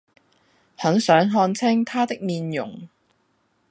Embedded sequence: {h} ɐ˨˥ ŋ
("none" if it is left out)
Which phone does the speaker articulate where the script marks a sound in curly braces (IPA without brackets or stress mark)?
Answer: h